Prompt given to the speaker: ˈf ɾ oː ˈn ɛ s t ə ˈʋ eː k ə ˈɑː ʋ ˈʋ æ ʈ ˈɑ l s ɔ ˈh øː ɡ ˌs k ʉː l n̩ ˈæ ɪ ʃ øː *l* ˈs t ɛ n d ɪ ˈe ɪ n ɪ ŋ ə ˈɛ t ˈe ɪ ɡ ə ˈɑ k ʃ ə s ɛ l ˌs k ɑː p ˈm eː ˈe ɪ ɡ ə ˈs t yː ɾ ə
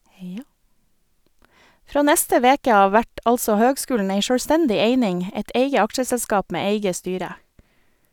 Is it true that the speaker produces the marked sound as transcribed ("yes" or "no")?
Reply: no